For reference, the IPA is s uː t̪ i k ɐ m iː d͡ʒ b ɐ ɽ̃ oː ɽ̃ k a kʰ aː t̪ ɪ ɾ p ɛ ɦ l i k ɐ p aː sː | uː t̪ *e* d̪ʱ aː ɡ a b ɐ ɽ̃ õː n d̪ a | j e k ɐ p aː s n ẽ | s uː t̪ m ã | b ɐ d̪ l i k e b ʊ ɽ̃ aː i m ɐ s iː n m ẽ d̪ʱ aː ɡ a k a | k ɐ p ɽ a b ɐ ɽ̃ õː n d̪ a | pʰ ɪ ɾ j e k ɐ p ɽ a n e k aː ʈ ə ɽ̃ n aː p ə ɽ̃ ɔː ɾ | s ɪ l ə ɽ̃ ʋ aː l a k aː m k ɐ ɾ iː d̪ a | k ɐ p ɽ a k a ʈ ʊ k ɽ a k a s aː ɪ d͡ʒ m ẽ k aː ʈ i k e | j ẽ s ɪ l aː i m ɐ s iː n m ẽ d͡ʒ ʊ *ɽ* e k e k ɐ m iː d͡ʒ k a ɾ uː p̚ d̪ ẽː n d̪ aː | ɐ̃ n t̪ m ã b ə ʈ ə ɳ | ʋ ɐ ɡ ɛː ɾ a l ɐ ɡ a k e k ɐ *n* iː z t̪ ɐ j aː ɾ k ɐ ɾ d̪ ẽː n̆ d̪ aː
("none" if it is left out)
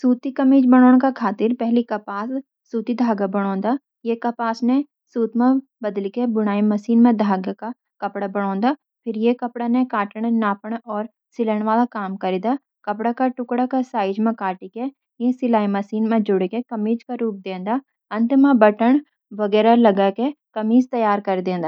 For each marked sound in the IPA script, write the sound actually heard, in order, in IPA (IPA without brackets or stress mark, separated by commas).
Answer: i, ɽ, m